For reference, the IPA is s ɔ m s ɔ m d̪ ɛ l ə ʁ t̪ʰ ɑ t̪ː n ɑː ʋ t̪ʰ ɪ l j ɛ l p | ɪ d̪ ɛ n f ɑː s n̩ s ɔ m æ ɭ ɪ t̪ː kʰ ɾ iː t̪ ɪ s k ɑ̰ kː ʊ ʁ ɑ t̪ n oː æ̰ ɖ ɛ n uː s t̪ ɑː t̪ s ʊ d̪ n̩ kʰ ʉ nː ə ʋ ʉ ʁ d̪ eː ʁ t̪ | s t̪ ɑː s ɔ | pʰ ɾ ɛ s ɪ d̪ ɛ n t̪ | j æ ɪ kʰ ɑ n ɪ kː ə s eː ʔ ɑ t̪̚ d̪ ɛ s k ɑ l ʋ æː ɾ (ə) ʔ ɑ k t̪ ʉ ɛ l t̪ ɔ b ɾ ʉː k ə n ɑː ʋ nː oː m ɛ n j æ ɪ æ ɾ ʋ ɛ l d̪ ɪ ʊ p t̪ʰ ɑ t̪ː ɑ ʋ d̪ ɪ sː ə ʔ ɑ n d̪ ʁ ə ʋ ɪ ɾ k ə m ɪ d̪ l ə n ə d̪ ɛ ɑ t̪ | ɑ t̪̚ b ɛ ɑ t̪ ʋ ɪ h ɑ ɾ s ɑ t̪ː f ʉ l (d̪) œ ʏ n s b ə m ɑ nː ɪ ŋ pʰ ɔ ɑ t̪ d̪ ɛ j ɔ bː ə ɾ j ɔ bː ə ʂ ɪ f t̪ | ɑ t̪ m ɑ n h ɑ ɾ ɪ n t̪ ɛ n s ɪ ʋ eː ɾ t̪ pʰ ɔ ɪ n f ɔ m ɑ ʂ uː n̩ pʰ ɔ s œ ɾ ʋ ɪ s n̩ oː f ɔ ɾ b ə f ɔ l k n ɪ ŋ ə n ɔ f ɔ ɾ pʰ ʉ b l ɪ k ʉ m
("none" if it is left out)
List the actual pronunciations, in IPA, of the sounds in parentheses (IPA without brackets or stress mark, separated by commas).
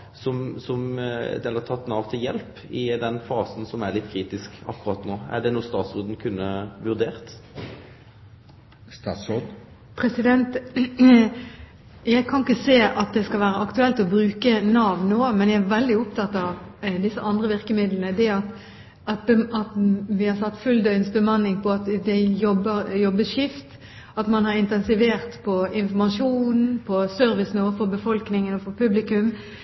ə, d̪